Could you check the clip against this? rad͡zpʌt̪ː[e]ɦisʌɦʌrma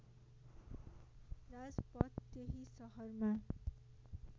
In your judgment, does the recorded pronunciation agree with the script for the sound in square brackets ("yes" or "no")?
yes